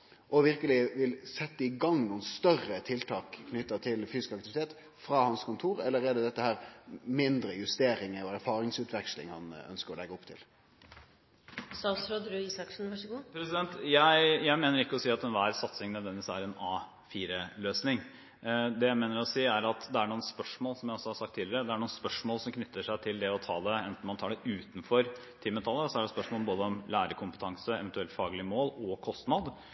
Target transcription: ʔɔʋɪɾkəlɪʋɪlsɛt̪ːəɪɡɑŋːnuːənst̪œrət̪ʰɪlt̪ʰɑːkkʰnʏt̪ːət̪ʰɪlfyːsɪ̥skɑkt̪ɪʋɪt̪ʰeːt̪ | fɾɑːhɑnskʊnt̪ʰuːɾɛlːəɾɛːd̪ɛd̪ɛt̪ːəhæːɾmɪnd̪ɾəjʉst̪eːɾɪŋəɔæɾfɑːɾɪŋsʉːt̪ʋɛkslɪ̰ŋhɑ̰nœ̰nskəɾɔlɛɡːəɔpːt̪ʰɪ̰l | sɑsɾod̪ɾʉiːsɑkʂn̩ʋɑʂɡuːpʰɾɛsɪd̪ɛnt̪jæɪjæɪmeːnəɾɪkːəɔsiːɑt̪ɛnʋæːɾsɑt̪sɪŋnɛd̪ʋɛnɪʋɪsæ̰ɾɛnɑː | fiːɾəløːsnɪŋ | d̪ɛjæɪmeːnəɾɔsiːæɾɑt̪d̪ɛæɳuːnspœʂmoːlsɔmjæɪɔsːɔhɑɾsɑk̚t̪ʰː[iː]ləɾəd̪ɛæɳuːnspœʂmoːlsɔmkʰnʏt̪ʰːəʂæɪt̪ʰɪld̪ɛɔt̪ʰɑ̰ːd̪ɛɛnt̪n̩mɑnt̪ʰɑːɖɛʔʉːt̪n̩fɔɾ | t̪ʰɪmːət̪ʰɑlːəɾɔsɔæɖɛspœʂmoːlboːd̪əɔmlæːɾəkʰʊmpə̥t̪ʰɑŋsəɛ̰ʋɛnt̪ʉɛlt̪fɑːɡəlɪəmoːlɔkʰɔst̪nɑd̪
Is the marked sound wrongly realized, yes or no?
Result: no